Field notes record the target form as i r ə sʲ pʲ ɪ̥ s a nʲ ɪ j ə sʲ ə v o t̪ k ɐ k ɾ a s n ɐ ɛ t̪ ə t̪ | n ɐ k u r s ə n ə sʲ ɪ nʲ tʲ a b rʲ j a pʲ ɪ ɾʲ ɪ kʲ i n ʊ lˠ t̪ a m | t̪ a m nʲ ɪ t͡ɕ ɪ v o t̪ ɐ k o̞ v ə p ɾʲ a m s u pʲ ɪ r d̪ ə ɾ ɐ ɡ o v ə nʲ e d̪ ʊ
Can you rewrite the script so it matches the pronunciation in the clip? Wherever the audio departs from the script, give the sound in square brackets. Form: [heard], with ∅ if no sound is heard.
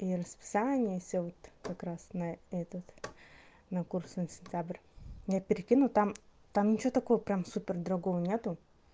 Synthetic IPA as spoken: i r ə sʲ pʲ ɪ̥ s a nʲ ɪ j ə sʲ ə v o t̪ k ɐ k ɾ a s n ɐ ɛ t̪ ə t̪ | n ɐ k u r s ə n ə sʲ ɪ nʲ tʲ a b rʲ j a pʲ ɪ ɾʲ ɪ kʲ i n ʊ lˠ t̪ a m | t̪ a m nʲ ɪ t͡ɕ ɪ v o t̪ ɐ k o̞ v ə p ɾʲ a m s u pʲ ɪ r d̪ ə ɾ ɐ ɡ o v ə nʲ e [t̪] ʊ